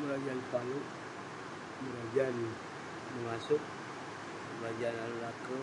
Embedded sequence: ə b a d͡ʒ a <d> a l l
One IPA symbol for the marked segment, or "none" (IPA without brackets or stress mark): n